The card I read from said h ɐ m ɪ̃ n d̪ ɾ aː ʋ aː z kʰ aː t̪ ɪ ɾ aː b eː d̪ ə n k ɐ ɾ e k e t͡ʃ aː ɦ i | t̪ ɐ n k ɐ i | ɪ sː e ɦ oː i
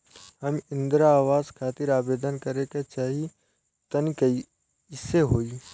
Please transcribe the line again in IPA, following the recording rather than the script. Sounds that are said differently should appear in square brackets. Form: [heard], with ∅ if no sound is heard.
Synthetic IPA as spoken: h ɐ m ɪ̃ n d̪ ɾ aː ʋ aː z kʰ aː t̪ ɪ ɾ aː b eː d̪ ə n k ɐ ɾ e k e t͡ʃ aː ɦ i | t̪ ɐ n k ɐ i | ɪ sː e ɦ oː i